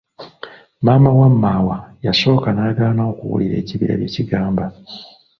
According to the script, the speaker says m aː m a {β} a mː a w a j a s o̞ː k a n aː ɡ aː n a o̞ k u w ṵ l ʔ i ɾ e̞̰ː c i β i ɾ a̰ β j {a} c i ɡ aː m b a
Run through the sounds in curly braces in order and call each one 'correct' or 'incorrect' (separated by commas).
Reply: incorrect, incorrect